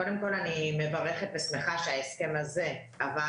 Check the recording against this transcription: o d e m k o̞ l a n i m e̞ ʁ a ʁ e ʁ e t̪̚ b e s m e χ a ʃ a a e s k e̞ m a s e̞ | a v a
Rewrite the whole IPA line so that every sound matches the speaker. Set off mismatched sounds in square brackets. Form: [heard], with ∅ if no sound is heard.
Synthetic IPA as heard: o d e m k o̞ l a n i m e̞ [v] a ʁ e [χ] e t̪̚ b e s m e χ a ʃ [e] a e s k e̞ m a [z] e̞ | a v a